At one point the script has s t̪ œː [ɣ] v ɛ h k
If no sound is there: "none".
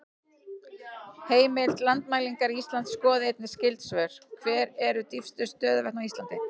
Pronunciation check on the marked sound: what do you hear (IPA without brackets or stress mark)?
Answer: ð